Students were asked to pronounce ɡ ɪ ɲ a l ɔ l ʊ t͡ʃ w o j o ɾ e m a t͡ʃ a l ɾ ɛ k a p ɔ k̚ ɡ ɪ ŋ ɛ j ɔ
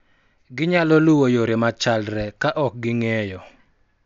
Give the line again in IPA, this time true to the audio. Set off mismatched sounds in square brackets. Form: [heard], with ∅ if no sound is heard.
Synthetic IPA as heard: ɡ ɪ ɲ a l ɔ l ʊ [∅] w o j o ɾ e m a t͡ʃ a l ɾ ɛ k a [ʔ] ɔ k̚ ɡ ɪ ŋ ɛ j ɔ